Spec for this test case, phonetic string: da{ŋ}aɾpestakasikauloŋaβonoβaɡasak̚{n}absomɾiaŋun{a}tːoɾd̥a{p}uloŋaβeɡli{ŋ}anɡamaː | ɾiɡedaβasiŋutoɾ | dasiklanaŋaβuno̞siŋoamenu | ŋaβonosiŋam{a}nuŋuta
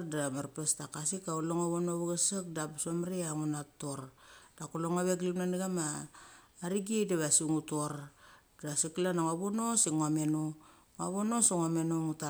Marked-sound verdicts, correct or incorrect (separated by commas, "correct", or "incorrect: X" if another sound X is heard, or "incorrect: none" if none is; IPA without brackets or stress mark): incorrect: m, incorrect: d, correct, incorrect: k, incorrect: n, incorrect: e